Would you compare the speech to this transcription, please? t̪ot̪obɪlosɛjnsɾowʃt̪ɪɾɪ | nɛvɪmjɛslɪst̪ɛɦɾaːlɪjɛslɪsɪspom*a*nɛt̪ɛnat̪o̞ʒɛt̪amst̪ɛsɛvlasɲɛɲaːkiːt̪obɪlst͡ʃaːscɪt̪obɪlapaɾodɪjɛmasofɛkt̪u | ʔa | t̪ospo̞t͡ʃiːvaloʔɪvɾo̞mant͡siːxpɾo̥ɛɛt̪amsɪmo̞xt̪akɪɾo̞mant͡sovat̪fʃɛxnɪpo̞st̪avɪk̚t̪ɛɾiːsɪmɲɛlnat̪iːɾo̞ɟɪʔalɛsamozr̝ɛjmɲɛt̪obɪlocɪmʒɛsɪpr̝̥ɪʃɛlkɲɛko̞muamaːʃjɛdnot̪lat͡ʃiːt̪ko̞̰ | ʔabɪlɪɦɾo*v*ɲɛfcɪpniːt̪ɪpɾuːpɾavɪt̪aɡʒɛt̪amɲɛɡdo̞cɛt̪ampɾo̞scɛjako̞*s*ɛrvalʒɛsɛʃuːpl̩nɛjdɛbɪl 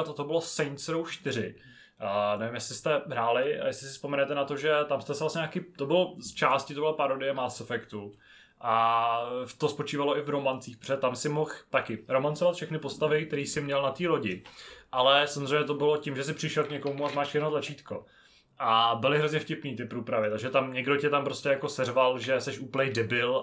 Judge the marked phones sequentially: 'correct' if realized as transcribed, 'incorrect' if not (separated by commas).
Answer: incorrect, incorrect, correct